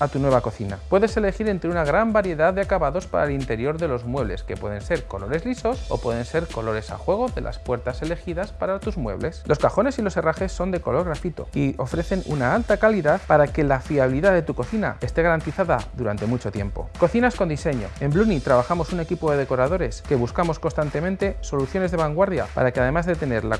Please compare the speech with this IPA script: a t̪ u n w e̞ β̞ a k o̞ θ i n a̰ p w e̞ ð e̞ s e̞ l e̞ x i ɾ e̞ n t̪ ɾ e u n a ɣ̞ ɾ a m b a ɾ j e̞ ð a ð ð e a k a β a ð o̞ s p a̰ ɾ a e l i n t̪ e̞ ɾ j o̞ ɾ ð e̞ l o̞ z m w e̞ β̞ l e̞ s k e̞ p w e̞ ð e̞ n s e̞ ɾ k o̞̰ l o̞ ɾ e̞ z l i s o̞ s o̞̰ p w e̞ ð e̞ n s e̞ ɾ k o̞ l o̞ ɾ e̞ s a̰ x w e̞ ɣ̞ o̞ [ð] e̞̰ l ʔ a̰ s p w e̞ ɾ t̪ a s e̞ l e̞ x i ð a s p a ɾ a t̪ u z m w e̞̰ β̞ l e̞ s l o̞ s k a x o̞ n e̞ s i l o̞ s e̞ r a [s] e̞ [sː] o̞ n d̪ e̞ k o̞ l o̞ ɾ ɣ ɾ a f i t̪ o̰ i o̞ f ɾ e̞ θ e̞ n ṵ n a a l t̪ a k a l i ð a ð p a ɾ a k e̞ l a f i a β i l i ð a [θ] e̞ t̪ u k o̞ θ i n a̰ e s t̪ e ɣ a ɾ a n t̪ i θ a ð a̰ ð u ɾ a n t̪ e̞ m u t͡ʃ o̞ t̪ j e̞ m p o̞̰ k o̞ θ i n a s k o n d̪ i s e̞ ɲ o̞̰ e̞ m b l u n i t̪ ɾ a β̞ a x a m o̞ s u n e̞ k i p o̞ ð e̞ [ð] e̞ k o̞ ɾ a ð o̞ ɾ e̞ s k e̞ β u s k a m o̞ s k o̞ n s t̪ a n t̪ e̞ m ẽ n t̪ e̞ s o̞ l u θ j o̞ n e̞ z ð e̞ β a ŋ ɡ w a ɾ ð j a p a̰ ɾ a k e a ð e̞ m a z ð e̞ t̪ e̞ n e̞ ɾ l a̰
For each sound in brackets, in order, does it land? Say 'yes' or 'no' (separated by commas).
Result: yes, no, yes, no, yes